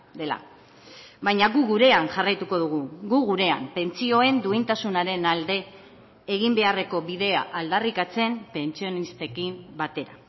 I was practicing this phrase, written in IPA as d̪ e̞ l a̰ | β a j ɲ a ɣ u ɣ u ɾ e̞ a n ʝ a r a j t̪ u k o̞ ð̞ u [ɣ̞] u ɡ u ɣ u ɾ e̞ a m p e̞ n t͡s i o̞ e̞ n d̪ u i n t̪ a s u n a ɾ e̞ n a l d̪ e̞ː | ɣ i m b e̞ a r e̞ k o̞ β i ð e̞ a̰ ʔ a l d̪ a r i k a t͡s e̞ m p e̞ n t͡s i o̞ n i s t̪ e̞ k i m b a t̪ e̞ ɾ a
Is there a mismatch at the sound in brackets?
no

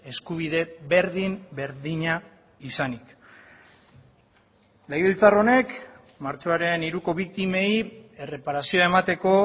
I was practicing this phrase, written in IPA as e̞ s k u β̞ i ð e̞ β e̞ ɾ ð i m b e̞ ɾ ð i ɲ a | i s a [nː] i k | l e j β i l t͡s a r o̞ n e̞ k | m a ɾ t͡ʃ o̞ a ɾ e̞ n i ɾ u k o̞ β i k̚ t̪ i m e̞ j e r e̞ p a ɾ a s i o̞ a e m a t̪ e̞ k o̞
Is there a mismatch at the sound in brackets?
yes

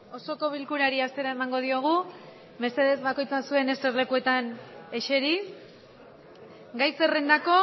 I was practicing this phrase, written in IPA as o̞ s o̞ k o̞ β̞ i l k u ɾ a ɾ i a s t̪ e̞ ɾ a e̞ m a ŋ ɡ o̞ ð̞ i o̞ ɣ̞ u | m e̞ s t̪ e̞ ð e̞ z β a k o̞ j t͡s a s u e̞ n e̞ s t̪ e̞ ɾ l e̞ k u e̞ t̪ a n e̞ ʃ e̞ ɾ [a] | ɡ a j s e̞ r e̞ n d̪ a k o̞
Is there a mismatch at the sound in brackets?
yes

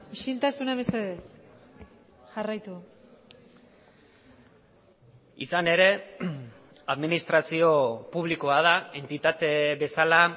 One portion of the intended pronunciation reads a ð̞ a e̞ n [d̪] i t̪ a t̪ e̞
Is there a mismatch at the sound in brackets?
yes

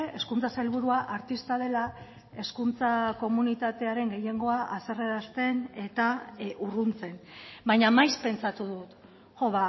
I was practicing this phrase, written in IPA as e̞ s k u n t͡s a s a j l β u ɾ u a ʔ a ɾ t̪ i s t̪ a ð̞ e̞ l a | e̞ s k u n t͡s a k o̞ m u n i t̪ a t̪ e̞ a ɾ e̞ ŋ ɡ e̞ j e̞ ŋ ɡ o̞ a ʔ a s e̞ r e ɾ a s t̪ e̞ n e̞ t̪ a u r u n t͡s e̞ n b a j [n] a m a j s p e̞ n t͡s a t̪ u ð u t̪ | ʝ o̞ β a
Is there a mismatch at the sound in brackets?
yes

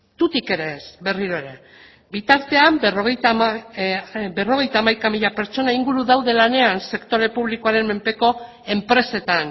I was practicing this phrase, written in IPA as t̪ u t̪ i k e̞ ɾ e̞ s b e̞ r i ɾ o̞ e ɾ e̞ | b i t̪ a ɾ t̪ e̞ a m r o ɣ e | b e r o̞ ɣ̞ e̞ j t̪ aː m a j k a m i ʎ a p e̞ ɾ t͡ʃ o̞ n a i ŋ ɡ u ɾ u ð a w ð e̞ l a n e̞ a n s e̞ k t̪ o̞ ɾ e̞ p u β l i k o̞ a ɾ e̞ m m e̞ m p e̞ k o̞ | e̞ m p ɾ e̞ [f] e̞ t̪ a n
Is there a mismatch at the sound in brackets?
yes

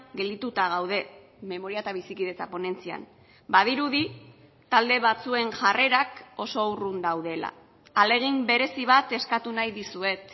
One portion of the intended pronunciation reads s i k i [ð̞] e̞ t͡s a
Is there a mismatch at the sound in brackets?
no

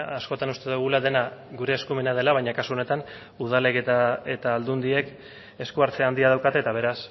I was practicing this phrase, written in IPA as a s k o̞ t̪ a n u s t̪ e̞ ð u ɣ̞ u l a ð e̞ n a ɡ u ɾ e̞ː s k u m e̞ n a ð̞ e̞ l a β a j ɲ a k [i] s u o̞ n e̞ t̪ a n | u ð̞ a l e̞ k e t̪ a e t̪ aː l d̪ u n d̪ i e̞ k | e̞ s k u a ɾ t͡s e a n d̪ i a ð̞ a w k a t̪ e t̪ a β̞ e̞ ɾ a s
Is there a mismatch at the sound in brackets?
yes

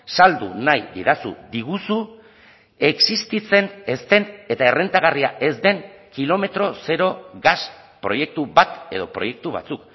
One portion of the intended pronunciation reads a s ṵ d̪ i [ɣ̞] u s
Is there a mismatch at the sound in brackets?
no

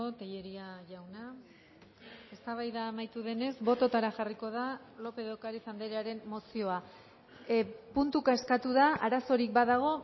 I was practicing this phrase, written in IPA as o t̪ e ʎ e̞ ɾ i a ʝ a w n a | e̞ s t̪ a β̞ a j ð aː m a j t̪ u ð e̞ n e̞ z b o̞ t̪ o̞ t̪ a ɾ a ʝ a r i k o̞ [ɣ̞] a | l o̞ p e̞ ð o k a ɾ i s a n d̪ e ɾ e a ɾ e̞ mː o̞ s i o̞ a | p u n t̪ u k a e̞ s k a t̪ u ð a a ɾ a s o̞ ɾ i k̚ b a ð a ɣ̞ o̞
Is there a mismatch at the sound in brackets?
yes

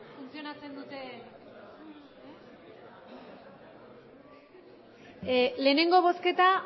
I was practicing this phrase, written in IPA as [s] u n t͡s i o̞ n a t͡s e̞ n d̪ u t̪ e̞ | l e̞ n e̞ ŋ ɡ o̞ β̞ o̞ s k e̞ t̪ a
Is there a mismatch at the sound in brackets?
yes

